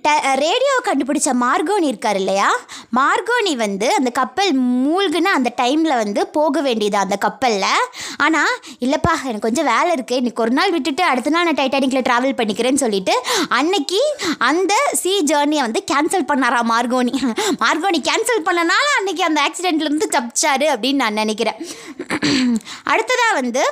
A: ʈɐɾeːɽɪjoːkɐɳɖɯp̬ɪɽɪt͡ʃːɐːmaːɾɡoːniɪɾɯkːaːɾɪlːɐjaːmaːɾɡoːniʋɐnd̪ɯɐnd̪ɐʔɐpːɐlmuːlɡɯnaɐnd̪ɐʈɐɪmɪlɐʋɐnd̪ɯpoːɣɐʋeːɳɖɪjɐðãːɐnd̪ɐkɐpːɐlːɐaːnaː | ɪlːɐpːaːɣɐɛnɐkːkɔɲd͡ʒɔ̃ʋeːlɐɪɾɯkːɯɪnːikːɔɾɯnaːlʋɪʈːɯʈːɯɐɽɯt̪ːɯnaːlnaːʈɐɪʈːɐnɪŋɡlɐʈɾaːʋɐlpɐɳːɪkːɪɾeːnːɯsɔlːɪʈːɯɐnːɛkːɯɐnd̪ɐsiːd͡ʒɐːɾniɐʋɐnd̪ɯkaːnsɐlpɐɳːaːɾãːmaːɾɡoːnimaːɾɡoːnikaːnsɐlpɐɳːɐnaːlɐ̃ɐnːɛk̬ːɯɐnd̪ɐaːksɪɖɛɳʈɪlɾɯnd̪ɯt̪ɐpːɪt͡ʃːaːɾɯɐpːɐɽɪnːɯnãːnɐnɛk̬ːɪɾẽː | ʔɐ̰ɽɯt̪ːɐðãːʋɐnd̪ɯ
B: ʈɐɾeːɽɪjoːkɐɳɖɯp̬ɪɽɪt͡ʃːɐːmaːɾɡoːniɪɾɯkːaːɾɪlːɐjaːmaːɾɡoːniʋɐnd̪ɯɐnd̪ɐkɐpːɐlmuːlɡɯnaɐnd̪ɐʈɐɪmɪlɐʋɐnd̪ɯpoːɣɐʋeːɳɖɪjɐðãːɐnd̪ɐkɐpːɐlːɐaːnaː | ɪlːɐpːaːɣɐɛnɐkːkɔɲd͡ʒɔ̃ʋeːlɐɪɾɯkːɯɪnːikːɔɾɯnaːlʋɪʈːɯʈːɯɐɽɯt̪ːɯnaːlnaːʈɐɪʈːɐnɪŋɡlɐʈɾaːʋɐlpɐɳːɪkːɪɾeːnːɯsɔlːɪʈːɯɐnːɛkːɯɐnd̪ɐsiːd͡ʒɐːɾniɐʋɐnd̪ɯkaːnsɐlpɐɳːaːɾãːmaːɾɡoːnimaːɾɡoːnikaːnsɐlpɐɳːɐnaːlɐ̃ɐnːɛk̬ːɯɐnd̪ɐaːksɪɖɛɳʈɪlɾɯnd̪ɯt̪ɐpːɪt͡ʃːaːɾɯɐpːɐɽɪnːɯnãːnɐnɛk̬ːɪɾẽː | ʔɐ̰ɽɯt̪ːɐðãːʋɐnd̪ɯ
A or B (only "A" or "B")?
B